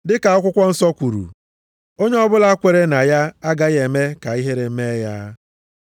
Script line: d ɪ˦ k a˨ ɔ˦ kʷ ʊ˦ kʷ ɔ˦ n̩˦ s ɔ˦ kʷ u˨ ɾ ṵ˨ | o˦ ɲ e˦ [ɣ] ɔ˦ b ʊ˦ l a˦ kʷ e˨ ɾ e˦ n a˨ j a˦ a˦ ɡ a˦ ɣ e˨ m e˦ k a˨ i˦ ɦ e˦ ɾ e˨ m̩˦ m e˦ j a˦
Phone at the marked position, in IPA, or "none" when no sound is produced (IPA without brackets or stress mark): none